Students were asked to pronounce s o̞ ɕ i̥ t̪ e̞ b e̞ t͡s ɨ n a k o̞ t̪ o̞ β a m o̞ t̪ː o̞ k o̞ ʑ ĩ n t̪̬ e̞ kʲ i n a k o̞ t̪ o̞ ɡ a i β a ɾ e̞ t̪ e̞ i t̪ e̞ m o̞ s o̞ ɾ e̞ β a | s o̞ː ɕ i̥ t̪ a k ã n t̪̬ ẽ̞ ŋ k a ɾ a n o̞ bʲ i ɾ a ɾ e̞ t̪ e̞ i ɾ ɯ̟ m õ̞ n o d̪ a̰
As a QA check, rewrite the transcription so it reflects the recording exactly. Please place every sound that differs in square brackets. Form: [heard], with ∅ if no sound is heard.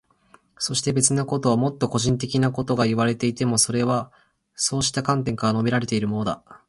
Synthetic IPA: s o̞ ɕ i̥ t̪ e̞ b e̞ t͡s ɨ n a k o̞ t̪ o̞ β a m o̞ t̪ː o̞ k o̞ ʑ ĩ n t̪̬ e̞ kʲ i n a k o̞ t̪ o̞ ɡ a i β a ɾ e̞ t̪ e̞ i t̪ e̞ m o̞ s o̞ ɾ e̞ β a | s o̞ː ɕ i̥ t̪ a k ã n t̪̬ ẽ̞ ŋ k a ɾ a n o̞ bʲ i ɾ a ɾ e̞ t̪ e̞ i ɾ ɯ̟ m [o̞] n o d̪ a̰